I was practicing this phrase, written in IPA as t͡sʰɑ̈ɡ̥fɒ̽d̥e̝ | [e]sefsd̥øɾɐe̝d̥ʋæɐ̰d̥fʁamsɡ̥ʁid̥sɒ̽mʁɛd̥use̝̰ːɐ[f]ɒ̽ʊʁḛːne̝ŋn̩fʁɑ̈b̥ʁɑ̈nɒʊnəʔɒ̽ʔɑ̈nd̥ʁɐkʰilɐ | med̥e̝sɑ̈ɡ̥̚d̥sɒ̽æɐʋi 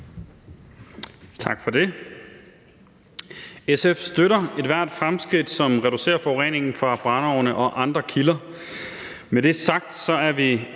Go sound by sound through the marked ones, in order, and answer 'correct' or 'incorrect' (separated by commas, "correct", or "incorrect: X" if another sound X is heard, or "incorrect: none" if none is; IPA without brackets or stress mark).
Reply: correct, correct